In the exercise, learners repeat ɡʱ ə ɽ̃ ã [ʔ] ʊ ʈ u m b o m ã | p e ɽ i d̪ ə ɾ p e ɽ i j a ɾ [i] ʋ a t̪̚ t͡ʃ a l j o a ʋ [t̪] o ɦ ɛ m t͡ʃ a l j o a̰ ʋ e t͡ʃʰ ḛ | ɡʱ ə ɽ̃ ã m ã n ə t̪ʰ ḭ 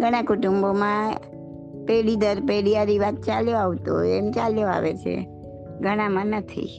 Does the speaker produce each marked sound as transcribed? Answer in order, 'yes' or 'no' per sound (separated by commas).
no, yes, yes